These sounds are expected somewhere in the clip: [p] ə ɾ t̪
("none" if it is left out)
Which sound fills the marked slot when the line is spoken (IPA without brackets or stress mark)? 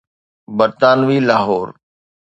b